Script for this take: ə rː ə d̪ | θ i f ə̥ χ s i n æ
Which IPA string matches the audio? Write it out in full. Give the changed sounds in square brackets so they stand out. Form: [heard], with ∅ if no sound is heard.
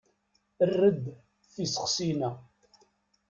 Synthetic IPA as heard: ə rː ə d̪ | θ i [s] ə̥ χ s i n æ